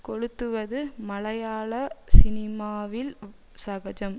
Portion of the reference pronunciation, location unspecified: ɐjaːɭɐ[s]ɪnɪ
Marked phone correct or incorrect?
correct